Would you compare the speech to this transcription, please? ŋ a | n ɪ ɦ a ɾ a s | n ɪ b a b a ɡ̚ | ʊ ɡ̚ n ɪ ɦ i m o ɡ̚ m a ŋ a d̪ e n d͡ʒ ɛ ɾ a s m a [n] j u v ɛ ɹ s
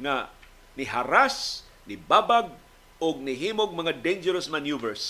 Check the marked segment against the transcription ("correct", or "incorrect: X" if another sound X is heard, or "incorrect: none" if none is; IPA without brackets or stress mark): correct